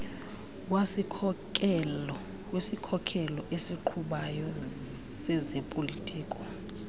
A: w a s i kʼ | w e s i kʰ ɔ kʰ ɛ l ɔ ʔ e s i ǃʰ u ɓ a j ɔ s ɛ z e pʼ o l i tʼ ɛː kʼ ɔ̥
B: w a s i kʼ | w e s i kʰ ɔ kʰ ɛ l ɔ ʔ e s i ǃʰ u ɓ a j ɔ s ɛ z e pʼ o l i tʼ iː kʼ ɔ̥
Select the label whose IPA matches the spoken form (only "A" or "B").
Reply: B